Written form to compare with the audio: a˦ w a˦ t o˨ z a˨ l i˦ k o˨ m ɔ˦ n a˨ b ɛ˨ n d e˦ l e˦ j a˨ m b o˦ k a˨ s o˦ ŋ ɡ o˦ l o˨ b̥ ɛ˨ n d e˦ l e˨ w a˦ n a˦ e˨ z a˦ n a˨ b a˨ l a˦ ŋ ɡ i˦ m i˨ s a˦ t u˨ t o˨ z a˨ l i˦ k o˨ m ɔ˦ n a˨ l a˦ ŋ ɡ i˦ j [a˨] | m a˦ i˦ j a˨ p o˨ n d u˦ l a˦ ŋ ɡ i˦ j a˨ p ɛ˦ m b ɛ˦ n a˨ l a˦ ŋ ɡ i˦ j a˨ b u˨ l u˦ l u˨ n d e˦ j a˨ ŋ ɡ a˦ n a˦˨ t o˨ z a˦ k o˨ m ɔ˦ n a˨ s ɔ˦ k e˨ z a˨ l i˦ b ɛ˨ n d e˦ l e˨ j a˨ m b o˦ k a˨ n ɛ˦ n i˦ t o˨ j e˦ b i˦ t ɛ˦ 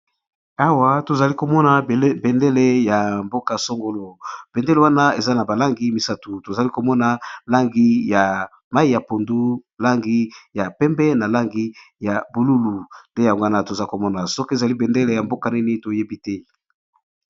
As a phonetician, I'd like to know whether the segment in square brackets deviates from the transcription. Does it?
no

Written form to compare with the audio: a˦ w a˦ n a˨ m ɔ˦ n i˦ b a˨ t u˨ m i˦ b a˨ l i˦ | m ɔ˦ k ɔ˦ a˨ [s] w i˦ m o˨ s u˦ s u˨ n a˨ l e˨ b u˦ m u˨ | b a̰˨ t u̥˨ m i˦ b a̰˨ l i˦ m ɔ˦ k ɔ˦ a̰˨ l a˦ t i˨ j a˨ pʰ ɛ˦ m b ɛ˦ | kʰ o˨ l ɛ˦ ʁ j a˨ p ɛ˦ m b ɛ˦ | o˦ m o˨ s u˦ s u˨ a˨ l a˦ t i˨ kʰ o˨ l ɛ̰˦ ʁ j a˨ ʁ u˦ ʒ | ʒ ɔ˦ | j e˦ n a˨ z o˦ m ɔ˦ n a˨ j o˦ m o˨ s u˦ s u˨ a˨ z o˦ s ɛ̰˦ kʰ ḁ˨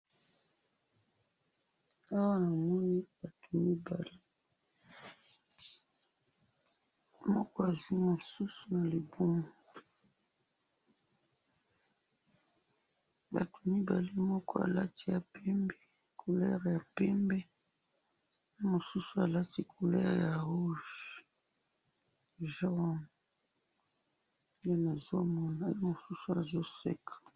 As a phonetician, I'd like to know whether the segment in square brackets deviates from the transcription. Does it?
yes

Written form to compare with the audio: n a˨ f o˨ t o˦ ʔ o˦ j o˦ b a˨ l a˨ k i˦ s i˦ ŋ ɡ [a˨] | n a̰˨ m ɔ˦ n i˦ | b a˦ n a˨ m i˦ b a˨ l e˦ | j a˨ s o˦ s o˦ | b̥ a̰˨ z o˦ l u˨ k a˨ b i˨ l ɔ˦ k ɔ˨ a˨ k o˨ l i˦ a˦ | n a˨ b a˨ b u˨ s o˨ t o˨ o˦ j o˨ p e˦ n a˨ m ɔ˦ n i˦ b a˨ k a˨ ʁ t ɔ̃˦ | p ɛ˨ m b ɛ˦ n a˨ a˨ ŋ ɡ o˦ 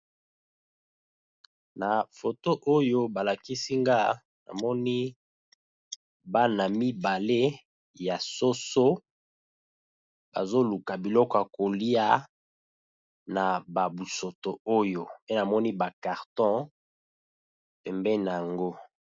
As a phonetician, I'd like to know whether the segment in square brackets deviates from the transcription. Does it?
yes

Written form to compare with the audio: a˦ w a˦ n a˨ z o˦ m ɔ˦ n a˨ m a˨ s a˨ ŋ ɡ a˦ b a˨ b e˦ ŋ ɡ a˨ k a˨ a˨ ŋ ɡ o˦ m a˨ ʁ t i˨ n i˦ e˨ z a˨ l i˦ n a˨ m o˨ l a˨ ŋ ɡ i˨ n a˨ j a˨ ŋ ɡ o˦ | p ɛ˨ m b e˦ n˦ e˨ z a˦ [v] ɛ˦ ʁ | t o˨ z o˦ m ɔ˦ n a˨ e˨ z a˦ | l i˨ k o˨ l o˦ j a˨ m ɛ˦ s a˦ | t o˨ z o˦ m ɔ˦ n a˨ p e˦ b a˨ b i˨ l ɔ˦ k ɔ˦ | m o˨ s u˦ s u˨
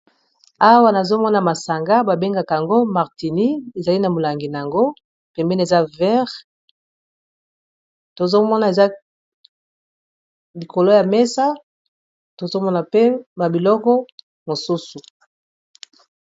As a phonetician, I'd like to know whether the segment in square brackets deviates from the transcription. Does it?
no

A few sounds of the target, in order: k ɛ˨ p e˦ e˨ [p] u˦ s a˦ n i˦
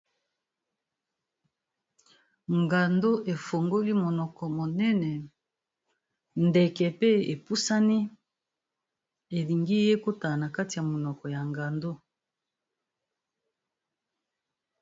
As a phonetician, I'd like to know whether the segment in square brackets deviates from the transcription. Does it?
no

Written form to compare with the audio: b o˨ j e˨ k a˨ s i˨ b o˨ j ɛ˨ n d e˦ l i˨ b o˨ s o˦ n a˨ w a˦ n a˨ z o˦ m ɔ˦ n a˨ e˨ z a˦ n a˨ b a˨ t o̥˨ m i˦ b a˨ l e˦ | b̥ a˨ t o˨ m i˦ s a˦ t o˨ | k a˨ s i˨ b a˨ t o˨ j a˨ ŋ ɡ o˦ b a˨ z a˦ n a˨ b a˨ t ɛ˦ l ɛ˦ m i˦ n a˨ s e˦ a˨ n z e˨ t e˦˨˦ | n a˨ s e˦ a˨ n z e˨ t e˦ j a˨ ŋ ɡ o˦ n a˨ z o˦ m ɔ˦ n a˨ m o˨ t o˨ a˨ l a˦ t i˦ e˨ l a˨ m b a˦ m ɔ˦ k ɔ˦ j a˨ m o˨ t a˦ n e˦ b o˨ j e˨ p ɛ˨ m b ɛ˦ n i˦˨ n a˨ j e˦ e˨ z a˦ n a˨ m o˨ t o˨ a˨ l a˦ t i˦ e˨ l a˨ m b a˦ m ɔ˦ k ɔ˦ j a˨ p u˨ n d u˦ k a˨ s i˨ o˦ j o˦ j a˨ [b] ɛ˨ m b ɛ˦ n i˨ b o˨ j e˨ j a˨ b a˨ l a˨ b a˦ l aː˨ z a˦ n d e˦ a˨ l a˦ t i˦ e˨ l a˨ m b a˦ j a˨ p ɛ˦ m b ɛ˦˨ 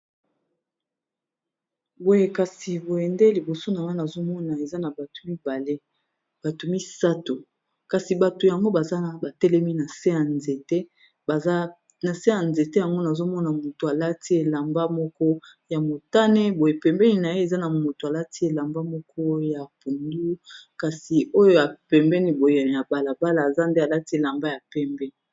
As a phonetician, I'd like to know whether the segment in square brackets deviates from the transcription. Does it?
yes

